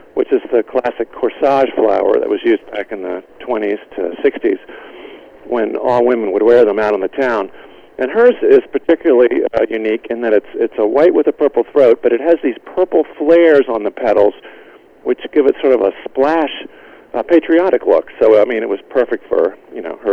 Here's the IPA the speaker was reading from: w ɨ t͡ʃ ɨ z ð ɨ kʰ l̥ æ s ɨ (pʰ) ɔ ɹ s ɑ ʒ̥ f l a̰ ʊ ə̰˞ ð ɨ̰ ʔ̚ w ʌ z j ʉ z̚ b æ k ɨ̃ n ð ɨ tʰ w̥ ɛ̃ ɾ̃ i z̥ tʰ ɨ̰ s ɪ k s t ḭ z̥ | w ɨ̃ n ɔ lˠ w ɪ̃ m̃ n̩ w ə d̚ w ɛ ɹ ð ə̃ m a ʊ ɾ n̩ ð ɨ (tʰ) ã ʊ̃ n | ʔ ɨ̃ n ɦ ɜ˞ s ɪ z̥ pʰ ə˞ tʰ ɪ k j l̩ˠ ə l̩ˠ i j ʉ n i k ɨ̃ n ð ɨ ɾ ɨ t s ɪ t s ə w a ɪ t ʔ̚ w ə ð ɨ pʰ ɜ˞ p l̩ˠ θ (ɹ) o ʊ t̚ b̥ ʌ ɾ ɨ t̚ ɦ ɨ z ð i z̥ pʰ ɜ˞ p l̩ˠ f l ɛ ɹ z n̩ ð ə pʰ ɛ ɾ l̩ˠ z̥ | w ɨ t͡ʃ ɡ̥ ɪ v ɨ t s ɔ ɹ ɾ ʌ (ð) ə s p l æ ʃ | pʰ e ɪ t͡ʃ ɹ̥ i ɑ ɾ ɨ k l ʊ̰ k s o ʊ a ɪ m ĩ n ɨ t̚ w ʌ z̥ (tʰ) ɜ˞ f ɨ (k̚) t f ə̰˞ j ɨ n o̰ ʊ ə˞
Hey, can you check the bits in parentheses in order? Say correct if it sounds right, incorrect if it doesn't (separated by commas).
incorrect, correct, correct, incorrect, incorrect, correct